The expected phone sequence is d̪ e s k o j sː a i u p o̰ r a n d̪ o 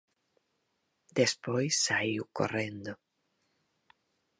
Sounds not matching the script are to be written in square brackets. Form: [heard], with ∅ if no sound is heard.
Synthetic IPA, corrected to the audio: d̪ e s [p] o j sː a i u [k] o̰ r [e] n d̪ o